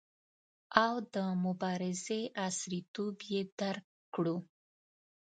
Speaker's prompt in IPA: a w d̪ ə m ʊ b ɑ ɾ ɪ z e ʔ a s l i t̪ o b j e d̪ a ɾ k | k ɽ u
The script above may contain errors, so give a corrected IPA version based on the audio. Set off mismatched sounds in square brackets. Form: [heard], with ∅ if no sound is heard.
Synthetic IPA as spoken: a w d̪ ə m ʊ b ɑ ɾ ɪ z e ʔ a s [ɾ] i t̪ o b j e d̪ a ɾ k | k ɽ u